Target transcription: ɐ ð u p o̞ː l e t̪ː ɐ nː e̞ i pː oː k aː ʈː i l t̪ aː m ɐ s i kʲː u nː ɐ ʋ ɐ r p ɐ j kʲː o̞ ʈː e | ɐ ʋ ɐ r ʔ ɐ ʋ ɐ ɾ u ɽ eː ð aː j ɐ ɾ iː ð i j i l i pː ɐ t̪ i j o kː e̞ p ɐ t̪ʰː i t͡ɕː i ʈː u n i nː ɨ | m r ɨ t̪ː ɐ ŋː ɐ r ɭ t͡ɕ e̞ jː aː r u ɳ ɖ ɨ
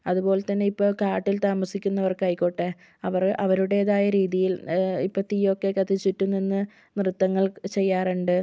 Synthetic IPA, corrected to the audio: ɐ ð u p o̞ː l e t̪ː ɐ nː e̞ i pː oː k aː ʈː i l t̪ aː m ɐ s i kʲː u nː ɐ ʋ ɐ r k ɐ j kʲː o̞ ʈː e | ɐ ʋ ɐ r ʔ ɐ ʋ ɐ ɾ u ɽ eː ð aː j ɐ ɾ iː ð i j i l i pː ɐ t̪ i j o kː e̞ k ɐ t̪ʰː i t͡ɕː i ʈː u n i nː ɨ | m r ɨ t̪ː ɐ ŋː ɐ ɭ t͡ɕ e̞ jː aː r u ɳ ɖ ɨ